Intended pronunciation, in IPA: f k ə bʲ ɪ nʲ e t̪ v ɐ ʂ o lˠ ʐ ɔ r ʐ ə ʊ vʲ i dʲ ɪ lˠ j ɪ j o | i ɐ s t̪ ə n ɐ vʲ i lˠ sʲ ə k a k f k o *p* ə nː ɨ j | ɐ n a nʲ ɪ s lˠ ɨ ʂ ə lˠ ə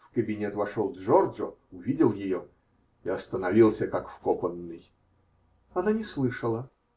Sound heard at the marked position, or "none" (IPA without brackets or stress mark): p